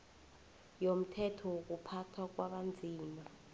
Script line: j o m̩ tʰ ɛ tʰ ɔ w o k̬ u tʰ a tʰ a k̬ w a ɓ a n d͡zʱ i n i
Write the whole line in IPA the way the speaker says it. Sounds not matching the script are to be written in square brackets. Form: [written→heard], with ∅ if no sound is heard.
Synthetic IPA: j o m̩ tʰ ɛ tʰ ɔ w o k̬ u [tʰ→pʰ] a tʰ a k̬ w a ɓ a n d͡zʱ [i→iː] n [i→a]